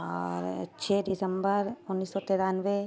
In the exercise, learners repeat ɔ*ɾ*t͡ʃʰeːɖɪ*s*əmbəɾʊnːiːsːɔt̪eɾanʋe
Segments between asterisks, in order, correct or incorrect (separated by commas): correct, correct